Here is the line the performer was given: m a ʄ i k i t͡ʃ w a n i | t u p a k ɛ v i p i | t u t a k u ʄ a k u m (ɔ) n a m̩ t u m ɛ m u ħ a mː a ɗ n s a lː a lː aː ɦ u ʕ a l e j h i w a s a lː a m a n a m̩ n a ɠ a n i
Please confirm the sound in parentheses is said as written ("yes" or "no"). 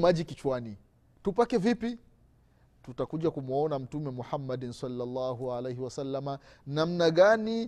yes